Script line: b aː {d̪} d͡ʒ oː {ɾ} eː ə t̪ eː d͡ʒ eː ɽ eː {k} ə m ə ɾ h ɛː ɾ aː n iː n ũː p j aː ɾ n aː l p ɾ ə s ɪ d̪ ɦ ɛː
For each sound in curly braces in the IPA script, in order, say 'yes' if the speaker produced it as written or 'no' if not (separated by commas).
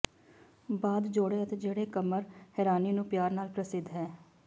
yes, no, yes